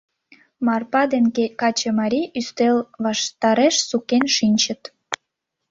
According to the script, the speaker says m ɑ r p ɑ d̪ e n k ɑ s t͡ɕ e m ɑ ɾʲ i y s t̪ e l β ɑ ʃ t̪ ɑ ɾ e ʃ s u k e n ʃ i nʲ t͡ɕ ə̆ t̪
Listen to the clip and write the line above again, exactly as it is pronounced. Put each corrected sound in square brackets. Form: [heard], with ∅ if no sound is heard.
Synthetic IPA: m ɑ r p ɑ d̪ e n k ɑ [∅] t͡ɕ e m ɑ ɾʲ i y s t̪ e l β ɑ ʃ t̪ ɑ ɾ e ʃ s u k e n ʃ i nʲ t͡ɕ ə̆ t̪